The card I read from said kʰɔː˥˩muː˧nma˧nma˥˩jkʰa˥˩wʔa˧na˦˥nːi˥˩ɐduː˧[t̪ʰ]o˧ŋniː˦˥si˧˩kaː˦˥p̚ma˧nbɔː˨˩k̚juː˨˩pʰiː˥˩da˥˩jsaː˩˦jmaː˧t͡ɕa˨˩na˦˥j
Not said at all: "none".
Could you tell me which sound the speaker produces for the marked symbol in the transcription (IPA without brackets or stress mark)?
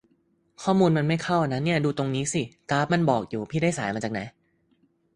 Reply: t̪